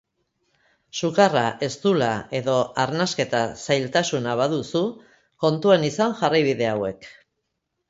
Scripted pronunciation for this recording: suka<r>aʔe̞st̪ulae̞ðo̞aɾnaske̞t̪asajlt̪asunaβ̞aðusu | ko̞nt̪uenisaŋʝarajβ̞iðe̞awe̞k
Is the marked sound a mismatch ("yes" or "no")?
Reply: no